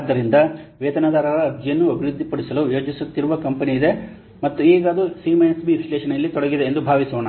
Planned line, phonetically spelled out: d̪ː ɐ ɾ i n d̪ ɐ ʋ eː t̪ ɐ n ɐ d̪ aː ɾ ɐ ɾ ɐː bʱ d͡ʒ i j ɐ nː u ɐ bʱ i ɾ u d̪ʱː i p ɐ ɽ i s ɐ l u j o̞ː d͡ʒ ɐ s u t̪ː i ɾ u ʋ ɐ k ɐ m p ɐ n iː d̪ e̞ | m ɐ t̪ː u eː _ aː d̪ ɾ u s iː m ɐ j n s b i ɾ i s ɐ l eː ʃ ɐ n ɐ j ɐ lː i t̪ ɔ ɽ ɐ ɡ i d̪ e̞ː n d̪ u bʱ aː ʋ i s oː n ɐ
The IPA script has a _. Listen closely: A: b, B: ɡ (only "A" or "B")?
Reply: B